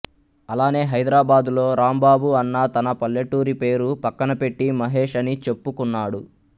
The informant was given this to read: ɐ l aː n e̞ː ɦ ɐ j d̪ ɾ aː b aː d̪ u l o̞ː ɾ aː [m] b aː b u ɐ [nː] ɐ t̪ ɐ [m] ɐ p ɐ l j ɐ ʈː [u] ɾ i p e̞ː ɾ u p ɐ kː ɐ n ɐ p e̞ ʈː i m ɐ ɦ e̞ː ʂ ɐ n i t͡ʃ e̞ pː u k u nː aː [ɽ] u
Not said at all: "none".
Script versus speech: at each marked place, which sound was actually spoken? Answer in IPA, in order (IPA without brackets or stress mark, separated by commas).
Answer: m, nː, n, uː, ɽ